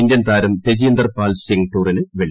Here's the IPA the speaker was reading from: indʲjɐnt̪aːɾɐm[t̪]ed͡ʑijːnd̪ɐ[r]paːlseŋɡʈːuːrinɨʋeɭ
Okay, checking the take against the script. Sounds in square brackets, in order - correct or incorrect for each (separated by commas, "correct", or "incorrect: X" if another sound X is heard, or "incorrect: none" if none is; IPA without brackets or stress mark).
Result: correct, correct